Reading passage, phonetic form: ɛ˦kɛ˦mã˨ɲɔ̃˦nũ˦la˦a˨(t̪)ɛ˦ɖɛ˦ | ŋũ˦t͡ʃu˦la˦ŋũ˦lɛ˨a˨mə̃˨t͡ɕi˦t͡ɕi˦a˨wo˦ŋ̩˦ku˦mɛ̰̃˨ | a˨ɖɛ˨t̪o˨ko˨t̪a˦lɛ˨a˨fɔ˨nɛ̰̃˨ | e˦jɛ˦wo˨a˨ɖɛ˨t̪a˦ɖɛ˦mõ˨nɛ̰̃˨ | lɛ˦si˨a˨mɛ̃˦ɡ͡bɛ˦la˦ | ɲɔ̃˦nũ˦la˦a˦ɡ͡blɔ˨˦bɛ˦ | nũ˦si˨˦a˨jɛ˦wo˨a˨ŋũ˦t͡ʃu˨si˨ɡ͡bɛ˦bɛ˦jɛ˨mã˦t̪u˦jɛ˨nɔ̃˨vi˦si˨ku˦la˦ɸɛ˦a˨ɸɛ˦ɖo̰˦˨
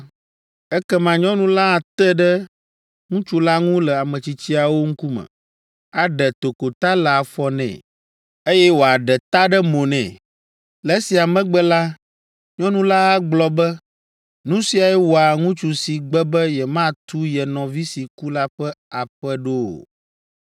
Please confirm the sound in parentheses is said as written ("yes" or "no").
yes